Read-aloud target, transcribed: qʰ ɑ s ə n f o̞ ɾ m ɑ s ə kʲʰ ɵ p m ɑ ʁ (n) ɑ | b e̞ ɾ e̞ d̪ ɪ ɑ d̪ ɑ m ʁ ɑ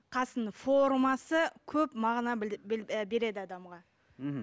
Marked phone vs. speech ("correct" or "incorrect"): correct